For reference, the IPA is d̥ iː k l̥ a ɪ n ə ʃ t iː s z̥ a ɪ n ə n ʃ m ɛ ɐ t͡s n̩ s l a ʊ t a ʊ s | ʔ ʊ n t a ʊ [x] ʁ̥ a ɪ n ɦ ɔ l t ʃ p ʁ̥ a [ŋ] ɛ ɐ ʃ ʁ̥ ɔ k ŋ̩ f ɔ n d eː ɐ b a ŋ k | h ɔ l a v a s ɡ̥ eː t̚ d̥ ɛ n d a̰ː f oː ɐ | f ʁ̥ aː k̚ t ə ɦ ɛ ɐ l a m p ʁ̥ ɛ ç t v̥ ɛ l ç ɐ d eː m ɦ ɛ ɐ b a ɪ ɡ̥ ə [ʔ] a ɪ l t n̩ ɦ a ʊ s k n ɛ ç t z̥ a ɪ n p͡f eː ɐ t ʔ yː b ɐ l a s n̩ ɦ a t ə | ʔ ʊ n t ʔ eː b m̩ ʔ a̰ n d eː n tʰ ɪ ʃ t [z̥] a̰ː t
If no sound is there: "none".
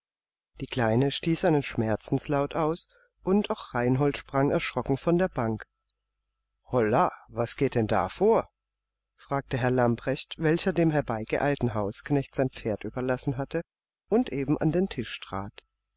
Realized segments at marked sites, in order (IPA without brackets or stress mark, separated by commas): x, ŋ, ʔ, ʁ̥